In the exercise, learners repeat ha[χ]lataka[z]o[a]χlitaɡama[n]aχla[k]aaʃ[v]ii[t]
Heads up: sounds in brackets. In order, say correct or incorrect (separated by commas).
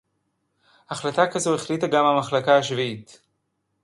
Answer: correct, correct, incorrect, incorrect, correct, correct, correct